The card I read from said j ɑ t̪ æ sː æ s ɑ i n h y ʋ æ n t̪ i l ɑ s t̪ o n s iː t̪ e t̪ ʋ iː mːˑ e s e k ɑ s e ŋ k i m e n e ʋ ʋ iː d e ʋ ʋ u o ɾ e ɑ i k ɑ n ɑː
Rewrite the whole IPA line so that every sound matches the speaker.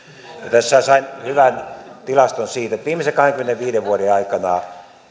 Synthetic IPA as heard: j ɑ t̪ æ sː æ s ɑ i n h y ʋ æ n t̪ i l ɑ s t̪ o n s iː t̪ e t̪ ʋ iː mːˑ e s e k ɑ h e ŋ k y m e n e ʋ ʋ iː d e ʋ ʋ u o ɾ e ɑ i k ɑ n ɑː